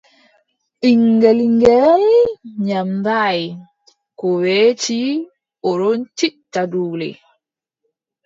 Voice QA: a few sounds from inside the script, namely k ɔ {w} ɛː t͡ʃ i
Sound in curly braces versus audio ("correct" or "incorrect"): correct